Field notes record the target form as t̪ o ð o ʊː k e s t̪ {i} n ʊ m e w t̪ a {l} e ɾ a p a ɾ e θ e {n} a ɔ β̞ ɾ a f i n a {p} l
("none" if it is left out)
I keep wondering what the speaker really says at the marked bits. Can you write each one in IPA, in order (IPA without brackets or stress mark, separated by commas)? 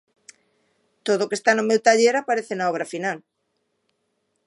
a, ʎ, n, none